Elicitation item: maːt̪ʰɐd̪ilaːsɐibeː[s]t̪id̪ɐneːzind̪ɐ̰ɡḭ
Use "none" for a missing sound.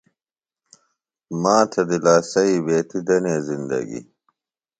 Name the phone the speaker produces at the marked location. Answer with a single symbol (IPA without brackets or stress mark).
none